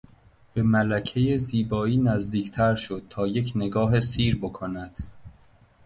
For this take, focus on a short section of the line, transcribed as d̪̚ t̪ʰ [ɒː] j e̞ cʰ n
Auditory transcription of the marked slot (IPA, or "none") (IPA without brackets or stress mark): ɒː